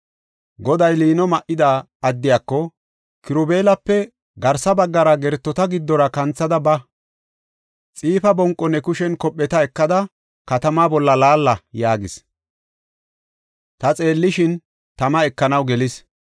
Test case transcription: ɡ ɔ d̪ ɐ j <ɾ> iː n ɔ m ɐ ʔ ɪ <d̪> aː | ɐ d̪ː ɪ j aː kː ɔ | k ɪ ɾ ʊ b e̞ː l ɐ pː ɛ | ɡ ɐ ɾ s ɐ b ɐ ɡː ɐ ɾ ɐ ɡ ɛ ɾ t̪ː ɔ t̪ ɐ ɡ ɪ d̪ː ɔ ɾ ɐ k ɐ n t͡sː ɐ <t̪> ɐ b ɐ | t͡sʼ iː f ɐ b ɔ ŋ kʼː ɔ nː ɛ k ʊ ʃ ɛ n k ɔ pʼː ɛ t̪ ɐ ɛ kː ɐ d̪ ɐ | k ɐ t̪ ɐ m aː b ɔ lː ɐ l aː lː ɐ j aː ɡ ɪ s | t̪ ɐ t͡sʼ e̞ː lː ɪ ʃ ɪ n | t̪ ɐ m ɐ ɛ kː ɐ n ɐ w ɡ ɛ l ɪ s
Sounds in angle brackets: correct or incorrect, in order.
incorrect, correct, incorrect

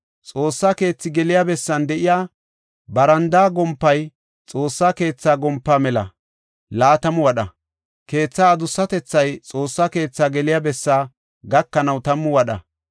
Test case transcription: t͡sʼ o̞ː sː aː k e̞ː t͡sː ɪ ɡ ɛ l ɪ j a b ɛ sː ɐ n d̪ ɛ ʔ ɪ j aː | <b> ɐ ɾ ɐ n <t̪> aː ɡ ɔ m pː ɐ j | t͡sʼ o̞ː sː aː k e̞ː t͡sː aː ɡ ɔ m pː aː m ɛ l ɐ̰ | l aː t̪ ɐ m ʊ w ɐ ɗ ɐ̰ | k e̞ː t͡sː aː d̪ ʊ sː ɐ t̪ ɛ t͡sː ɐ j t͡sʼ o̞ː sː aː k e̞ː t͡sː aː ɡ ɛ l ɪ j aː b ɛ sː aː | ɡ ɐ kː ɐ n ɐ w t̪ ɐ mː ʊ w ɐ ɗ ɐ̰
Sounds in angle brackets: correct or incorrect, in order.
correct, incorrect

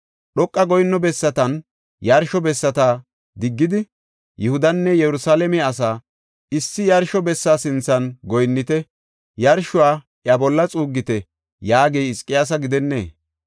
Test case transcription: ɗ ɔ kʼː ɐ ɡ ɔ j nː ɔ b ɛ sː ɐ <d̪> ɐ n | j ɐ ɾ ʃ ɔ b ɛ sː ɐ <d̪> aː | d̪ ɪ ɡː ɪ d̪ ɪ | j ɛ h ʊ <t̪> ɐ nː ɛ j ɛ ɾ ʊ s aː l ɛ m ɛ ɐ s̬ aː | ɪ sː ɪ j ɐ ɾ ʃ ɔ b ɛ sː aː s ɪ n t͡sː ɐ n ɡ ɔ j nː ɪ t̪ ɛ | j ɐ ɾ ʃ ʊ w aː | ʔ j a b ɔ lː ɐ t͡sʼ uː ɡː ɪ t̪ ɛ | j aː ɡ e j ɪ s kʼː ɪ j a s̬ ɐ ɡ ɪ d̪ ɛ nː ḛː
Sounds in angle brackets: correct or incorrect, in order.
incorrect, incorrect, incorrect

